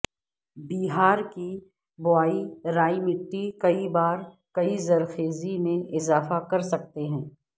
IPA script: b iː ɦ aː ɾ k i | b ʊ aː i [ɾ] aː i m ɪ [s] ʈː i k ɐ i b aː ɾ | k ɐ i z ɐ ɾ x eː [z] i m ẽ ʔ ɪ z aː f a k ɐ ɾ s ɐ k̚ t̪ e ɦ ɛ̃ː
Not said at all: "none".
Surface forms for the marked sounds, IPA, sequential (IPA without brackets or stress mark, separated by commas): ɾ, none, z